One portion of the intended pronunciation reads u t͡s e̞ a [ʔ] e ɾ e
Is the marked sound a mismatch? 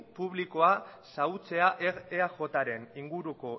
no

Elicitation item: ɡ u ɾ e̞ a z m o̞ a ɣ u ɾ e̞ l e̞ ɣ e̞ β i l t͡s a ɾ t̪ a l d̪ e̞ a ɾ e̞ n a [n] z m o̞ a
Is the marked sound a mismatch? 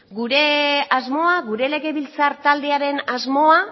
yes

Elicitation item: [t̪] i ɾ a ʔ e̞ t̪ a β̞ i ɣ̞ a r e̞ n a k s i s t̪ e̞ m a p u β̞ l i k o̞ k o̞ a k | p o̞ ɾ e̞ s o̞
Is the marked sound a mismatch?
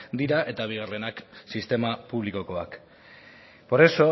yes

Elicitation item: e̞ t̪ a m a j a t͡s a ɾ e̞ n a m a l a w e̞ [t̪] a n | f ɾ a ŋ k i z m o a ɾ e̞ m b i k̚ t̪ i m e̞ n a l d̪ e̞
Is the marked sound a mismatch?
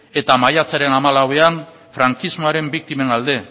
yes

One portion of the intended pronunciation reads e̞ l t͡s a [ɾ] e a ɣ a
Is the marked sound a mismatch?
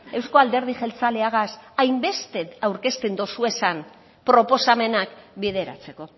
yes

